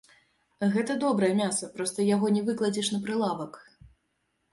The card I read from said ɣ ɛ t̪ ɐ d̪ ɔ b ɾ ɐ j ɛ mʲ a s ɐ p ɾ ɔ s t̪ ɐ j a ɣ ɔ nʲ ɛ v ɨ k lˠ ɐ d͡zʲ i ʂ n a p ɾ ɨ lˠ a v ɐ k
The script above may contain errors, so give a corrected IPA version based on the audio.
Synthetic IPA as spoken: ɣ ɛ t̪ ɐ d̪ ɔ b ɾ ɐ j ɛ mʲ a s ɐ p ɾ ɔ s t̪ ɐ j a ɣ ɔ nʲ ɛ v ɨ k lˠ ɐ d͡zʲ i ʂ n ɐ p ɾ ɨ lˠ a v ɐ k